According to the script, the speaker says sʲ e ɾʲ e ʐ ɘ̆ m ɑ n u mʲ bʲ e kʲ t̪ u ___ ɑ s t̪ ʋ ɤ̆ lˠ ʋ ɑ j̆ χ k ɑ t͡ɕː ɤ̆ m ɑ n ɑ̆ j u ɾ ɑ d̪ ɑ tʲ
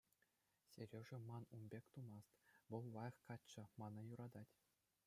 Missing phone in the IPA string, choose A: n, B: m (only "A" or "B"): B